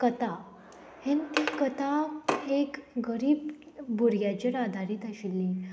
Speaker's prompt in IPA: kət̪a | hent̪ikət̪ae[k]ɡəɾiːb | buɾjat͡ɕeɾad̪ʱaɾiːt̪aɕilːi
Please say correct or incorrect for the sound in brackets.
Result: correct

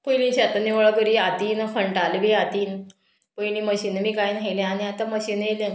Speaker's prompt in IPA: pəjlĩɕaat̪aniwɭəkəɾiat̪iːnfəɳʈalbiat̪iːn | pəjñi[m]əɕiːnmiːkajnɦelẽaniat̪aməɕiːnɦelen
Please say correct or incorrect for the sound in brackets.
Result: correct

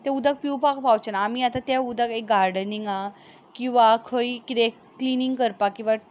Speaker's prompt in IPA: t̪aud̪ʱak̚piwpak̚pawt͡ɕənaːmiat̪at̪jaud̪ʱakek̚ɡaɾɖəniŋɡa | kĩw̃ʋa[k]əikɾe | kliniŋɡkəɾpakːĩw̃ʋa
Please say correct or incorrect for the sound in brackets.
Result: incorrect: kʰ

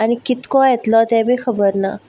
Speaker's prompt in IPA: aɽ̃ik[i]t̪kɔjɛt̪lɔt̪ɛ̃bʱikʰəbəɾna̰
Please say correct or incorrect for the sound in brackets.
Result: correct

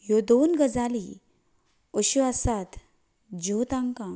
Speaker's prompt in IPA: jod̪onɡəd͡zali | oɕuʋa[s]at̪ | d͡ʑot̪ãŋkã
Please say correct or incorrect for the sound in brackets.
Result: correct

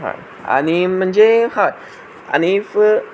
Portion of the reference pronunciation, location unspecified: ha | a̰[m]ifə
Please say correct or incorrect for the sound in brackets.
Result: incorrect: n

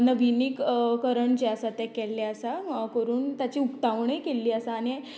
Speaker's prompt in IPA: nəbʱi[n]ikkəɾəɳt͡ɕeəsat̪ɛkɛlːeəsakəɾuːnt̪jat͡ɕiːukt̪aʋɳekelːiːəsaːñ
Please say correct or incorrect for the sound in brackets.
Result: correct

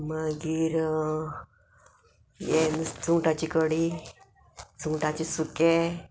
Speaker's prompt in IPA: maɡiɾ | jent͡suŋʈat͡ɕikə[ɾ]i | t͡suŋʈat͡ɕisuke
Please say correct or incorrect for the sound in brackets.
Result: incorrect: ɽ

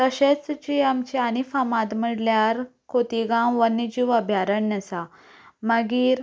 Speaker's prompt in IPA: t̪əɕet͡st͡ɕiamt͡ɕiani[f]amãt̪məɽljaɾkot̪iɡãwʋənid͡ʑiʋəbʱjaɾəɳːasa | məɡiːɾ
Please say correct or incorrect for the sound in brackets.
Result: correct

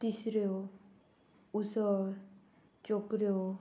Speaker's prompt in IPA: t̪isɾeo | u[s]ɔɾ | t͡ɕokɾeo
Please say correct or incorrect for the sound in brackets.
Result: correct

